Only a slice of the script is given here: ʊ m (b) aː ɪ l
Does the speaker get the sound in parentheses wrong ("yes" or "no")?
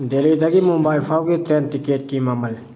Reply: no